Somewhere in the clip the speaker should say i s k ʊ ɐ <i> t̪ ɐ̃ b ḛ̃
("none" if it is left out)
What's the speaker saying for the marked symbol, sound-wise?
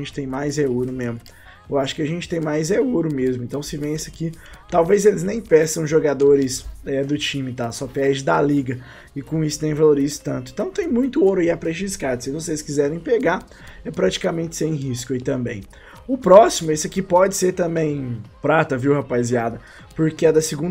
i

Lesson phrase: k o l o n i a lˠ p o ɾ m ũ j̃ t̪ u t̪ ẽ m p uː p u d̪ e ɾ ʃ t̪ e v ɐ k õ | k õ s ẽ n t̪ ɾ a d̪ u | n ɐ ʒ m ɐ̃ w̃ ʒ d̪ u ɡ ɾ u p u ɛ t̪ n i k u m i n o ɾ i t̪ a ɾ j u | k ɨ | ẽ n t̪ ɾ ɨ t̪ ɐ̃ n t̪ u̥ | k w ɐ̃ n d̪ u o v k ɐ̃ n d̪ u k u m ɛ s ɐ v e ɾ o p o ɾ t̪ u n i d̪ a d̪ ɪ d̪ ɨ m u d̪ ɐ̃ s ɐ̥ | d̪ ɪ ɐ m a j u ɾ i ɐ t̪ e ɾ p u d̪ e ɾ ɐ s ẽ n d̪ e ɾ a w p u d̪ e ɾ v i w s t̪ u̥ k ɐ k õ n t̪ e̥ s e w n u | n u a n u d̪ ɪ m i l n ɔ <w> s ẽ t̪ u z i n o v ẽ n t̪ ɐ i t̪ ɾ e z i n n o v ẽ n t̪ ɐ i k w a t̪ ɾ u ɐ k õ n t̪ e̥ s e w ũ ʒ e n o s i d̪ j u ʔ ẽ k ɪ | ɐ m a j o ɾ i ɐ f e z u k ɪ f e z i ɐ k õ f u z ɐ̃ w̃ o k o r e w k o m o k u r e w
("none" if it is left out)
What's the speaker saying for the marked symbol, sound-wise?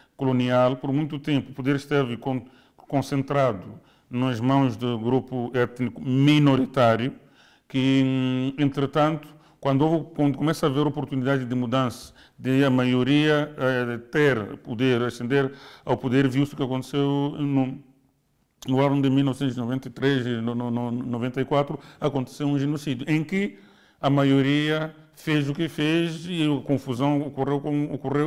v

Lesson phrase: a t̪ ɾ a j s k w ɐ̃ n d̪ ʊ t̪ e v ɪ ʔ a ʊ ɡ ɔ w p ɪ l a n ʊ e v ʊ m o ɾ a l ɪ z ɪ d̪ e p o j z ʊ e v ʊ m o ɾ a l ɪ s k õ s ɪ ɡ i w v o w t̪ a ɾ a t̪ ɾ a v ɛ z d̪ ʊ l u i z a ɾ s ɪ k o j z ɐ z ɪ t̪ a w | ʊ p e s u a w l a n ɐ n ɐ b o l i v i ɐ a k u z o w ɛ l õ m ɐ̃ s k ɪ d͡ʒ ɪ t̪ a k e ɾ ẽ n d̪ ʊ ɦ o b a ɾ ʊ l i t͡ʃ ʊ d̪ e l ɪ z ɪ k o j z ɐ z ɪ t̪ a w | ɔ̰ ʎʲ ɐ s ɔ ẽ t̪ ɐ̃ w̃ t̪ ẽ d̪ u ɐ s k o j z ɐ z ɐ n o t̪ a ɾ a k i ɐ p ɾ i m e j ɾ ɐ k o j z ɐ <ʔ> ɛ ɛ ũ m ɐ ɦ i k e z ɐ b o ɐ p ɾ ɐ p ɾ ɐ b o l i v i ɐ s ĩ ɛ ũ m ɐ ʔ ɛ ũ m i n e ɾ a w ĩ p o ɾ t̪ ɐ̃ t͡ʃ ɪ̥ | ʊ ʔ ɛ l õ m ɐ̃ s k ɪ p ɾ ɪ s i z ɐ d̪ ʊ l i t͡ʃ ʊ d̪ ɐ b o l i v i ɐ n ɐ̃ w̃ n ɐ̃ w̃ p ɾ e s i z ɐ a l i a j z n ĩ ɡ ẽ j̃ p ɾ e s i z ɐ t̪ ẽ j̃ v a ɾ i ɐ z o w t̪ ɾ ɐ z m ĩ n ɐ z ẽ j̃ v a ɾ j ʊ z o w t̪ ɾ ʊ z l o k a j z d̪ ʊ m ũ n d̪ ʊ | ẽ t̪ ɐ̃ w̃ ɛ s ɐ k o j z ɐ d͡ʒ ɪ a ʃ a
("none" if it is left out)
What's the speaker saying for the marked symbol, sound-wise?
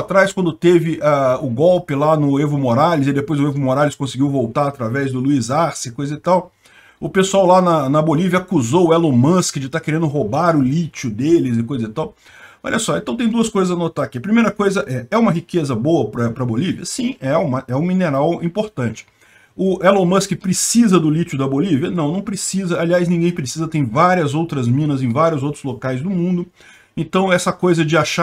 ʔ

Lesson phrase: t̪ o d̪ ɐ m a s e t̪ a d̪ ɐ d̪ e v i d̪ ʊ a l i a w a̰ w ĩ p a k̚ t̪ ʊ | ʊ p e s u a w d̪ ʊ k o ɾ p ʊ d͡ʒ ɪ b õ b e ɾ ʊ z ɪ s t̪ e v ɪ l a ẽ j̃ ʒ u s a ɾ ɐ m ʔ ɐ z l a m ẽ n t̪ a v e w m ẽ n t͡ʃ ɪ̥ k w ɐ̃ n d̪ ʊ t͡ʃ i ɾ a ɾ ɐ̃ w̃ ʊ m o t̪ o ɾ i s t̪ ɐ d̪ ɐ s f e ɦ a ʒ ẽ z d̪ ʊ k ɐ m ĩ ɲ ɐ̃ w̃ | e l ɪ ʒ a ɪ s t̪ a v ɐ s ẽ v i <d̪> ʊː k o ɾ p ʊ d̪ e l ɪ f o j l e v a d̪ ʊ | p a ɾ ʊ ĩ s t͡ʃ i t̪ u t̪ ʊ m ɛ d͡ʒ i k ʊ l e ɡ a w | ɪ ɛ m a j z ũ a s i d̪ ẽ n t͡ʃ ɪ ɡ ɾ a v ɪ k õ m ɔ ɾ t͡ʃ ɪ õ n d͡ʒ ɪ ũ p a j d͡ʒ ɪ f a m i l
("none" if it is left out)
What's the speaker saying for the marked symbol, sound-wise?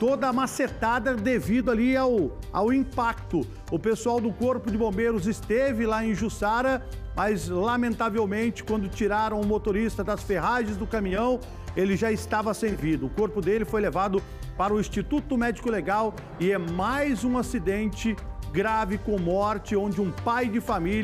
d̪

